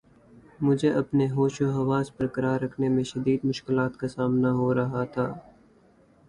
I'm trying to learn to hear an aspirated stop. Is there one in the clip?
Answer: yes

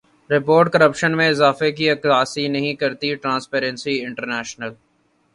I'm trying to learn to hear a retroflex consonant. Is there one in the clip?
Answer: yes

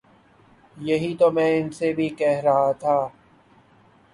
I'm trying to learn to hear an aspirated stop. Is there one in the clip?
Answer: yes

